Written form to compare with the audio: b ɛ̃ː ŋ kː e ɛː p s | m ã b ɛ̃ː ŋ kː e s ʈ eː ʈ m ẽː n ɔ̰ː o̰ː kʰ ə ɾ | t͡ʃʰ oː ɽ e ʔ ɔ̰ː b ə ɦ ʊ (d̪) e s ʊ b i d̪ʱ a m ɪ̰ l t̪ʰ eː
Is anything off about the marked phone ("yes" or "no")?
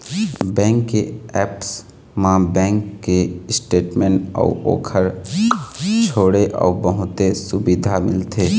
yes